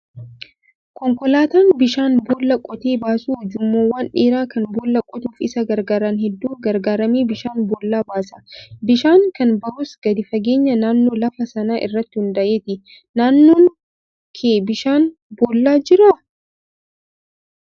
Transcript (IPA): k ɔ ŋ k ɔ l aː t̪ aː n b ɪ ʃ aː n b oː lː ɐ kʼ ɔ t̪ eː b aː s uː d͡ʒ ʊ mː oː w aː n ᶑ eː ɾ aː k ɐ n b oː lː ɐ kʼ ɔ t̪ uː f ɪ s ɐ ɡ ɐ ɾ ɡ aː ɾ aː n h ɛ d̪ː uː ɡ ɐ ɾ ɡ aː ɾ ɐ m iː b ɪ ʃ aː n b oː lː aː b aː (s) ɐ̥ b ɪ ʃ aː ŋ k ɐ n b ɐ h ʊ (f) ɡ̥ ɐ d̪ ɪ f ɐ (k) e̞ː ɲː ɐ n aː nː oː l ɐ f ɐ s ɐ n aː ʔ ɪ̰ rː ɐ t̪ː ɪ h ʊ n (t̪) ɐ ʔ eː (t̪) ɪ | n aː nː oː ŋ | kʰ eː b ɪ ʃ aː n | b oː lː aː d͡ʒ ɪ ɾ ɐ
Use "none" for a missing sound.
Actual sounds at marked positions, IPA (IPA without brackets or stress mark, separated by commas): s, s, ɡ, d̪, t̪